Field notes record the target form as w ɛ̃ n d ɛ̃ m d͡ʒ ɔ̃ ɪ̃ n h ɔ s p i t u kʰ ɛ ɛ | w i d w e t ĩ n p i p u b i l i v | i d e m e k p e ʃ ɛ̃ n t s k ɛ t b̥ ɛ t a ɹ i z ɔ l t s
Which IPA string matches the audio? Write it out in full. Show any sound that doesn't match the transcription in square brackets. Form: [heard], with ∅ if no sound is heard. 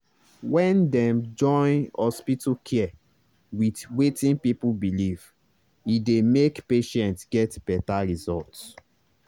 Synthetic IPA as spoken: w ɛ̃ n d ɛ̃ m d͡ʒ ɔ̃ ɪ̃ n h ɔ s p i t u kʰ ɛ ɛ | w i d w e t ĩ n p i p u b i l i v | i d e m e k p e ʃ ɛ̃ n t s [ɡ] ɛ t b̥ ɛ t a ɹ i z ɔ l t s